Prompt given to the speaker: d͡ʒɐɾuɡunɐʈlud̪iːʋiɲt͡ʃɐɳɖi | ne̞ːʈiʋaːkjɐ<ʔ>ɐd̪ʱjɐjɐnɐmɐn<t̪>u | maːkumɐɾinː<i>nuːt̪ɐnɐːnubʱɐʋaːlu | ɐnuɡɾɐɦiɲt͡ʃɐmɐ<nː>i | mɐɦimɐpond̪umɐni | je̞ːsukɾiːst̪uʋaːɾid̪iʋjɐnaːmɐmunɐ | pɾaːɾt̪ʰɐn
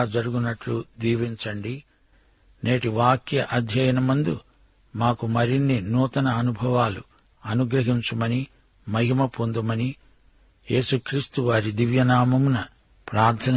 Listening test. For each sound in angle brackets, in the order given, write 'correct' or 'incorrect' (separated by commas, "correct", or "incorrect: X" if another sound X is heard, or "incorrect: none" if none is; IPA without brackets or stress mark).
correct, incorrect: d̪, correct, incorrect: n